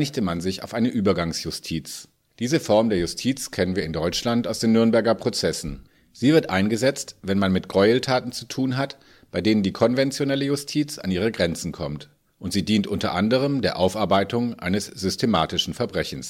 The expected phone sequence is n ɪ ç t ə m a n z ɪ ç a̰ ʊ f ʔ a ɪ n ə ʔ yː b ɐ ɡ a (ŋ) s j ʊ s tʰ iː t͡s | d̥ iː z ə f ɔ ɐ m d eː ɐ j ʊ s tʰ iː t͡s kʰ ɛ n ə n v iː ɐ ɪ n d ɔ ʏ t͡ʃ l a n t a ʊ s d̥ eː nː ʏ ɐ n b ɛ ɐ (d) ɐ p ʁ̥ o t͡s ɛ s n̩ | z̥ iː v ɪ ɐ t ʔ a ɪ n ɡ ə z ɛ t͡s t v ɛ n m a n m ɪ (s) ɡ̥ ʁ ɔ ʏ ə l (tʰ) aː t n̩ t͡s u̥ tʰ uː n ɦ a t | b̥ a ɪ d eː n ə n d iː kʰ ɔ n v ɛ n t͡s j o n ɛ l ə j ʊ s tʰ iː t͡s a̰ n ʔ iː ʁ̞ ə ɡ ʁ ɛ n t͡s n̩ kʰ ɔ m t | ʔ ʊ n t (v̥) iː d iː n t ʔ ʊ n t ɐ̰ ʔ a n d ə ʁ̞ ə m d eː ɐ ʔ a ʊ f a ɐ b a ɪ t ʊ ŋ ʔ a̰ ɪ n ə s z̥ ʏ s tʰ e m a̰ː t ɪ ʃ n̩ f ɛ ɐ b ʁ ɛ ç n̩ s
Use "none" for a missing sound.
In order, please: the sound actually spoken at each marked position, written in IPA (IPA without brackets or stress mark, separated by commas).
ŋ, ɡ, t, tʰ, z̥